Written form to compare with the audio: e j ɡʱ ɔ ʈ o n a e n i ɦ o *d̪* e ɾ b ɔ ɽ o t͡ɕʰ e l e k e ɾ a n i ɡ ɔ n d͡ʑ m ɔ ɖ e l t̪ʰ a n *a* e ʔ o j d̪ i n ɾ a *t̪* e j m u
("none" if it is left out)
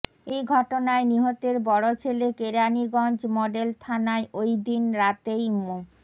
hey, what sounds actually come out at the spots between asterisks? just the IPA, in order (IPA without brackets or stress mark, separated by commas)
t̪, a, t̪